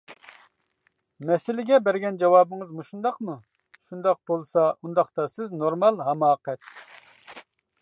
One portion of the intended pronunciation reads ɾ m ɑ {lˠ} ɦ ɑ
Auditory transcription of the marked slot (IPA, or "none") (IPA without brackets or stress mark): lˠ